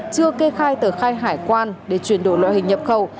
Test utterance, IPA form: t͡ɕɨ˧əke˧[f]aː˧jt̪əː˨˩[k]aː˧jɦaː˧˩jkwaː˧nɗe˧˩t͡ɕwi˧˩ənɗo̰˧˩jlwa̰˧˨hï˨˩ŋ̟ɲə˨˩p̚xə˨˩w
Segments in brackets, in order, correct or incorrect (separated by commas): incorrect, incorrect